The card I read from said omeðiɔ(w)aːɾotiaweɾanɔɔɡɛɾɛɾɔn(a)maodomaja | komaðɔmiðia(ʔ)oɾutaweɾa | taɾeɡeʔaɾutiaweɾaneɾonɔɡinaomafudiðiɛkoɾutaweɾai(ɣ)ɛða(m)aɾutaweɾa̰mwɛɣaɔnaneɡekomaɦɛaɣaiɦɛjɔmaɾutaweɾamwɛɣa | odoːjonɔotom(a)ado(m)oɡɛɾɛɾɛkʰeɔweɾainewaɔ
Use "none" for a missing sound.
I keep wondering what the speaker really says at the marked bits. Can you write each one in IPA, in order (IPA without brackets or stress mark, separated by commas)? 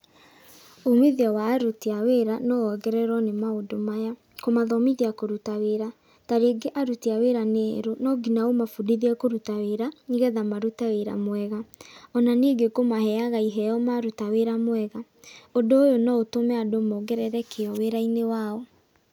w, e, k, ɣ, m, ɛ, m